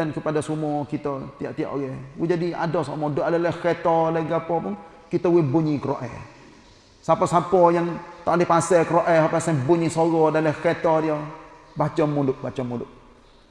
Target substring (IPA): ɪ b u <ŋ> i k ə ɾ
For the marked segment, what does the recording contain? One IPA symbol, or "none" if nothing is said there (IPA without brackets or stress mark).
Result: ɲ